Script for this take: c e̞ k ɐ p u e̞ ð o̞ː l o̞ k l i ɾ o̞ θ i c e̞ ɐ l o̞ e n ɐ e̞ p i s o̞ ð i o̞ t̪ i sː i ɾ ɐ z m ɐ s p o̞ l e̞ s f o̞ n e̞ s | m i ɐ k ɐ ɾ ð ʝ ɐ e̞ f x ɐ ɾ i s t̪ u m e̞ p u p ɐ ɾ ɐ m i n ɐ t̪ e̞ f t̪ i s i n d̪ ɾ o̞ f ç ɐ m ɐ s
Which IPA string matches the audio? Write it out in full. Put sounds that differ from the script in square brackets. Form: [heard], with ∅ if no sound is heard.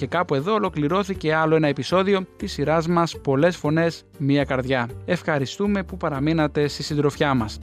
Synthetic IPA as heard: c e̞ k ɐ p u e̞ ð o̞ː l o̞ k l i ɾ o̞ θ i c e̞ ɐ l o̞ e n ɐ e̞ p i s o̞ ð i o̞ t̪ i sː i ɾ ɐ z m ɐ s p o̞ l e̞ s f o̞ n e̞ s | m i ɐ k ɐ ɾ ð ʝ ɐ e̞ f x ɐ ɾ i s t̪ u m e̞ p u p ɐ ɾ ɐ m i n ɐ t̪ e̞ [s] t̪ i s i n d̪ ɾ o̞ f ç ɐ m ɐ s